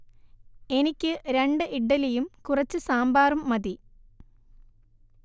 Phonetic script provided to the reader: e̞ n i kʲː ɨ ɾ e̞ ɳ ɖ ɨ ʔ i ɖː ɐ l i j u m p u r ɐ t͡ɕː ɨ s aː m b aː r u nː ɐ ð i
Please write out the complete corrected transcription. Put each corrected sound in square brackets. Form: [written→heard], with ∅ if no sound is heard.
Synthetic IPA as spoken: e̞ n i kʲː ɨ ɾ e̞ ɳ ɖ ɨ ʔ i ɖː ɐ l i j u m [p→k] u r ɐ t͡ɕː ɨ s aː m b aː r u [nː→mː] ɐ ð i